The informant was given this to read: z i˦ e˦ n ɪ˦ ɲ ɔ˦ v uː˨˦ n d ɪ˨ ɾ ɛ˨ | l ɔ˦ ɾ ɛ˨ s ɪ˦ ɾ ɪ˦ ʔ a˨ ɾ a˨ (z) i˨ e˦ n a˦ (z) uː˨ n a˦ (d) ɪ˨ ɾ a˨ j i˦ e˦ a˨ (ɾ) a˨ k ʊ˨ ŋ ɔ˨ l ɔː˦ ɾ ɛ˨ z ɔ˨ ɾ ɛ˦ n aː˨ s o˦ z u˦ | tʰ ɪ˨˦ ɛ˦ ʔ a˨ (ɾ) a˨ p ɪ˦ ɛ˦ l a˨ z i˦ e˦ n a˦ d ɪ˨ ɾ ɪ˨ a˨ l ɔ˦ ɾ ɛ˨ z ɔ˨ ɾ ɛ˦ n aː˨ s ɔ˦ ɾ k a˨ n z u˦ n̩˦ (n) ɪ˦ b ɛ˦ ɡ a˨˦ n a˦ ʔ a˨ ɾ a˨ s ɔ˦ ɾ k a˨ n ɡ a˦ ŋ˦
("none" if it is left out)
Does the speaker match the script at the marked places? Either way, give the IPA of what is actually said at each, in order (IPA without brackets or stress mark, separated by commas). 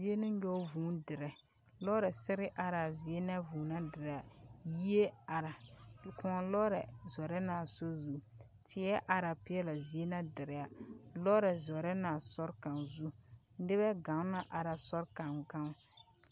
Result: z, v, d, ɾ, ɾ, d